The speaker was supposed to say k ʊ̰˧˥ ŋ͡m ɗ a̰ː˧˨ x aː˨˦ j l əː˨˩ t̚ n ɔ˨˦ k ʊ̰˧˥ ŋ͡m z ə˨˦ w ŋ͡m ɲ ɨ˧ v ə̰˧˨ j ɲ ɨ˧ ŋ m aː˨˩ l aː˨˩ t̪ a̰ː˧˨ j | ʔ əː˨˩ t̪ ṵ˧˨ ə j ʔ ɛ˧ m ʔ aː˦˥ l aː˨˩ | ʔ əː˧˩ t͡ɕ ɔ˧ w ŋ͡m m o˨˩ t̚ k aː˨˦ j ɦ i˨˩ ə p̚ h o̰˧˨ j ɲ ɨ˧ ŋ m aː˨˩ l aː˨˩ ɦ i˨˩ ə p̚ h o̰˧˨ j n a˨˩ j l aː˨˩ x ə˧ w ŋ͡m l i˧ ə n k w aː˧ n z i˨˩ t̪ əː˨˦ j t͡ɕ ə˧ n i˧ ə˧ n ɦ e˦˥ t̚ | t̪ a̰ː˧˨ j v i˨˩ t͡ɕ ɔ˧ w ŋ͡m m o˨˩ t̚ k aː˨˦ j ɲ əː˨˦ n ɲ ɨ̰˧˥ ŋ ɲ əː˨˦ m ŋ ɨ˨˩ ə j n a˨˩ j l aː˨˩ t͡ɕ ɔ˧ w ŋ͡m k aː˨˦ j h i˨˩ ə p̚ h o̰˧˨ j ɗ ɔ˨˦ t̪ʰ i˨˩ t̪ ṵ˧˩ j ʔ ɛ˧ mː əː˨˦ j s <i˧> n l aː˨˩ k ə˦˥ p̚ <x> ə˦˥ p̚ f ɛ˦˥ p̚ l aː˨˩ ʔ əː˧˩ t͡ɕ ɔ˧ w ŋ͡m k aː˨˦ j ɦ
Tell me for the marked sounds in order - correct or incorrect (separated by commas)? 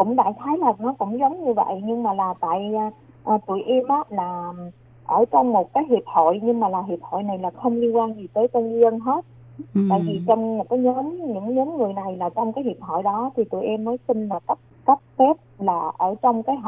correct, incorrect